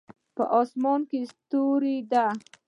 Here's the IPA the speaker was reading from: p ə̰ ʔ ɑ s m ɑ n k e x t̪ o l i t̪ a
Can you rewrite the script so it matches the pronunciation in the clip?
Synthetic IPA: p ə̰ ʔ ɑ s m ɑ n k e s t̪ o ɾ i d̪ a